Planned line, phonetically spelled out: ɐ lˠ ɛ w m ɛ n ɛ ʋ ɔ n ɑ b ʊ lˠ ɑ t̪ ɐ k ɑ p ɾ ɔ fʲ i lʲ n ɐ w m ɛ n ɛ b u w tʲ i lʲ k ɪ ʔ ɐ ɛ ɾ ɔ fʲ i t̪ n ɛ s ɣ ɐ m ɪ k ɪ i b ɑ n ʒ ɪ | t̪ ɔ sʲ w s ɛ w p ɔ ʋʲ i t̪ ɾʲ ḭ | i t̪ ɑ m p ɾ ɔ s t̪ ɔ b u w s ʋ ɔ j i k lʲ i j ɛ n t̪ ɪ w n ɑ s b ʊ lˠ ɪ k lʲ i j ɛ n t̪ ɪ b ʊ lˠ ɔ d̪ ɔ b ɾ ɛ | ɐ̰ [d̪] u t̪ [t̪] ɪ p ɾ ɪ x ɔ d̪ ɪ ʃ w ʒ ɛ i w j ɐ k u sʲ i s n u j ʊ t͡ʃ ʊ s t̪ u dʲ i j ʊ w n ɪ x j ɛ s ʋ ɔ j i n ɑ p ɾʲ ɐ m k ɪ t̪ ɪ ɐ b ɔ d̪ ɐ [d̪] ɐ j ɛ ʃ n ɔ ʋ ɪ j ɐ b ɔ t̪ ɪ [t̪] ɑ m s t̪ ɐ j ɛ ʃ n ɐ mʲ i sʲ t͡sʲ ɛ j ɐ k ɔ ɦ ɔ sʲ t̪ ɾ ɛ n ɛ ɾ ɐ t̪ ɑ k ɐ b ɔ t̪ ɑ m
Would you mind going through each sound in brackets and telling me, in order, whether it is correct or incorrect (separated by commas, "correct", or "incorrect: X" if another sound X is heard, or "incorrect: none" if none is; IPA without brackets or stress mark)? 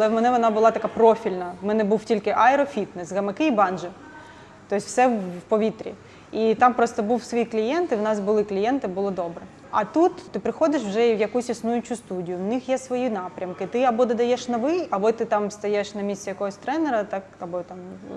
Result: incorrect: t̪, correct, correct, correct